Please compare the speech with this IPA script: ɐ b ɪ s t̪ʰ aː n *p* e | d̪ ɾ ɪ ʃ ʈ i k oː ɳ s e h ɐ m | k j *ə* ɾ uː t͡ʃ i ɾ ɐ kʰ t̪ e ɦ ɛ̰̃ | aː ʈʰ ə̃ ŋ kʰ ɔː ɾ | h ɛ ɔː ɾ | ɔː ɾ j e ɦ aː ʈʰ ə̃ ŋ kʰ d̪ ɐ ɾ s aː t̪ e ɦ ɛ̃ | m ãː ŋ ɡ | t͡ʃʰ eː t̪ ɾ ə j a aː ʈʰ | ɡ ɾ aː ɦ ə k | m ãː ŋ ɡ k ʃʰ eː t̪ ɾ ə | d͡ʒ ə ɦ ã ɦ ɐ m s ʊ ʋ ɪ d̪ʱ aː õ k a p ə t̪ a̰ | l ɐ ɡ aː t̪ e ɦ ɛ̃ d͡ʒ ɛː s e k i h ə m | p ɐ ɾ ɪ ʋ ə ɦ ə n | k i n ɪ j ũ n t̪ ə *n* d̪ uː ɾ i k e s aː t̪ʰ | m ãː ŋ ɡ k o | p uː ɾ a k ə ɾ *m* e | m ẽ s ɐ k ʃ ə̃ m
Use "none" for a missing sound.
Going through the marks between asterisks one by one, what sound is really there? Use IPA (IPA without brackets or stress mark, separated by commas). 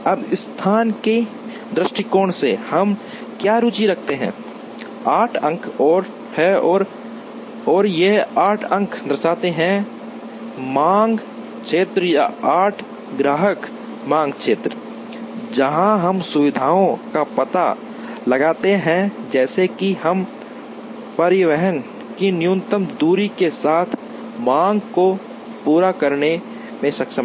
k, a, m, n